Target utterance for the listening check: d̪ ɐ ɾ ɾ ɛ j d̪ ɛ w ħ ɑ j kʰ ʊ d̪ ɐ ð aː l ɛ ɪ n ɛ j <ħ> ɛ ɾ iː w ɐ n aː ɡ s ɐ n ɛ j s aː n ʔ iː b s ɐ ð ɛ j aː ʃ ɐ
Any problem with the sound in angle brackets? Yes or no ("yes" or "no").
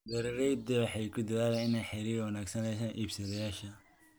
no